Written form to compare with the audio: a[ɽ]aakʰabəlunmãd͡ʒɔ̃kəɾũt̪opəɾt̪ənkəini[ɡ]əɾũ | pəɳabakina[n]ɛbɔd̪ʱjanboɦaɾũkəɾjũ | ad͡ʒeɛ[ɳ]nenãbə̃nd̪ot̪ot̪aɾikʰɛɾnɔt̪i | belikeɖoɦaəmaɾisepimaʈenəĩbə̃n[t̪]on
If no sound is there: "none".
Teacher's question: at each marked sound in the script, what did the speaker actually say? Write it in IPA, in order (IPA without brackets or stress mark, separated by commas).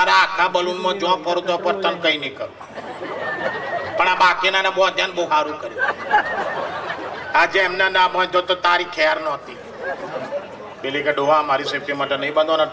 ɾ, k, n, m, d̪